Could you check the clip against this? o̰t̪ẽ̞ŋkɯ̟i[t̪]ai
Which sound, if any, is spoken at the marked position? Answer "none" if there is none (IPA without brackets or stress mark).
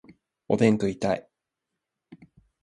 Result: t̪